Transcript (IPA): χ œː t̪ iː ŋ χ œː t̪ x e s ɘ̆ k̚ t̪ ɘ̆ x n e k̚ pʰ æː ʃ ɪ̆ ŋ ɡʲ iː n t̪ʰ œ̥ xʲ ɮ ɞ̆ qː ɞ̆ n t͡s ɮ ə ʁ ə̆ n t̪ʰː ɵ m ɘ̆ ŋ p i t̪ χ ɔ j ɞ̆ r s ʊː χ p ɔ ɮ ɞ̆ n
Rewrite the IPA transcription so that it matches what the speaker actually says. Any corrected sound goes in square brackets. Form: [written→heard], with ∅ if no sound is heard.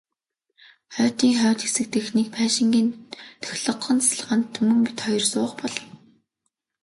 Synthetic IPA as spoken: χ œː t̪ iː ŋ χ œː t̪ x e s ɘ̆ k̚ t̪ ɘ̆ x n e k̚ pʰ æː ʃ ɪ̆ ŋ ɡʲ iː n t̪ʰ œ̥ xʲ ɮ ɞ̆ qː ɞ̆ n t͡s ɮ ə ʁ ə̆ n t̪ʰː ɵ m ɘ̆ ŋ p i t̪ χ ɔ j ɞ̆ r s ʊː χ p ɔ ɮ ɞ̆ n